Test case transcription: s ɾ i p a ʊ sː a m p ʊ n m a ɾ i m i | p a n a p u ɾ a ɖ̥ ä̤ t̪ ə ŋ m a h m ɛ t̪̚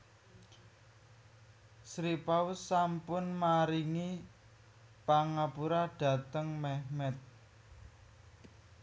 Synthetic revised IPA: s ɾ i p a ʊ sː a m p ʊ n m a ɾ i ŋ i | p a ŋ a p u ɾ a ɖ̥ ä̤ t̪ ə ŋ m ɛ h m ɛ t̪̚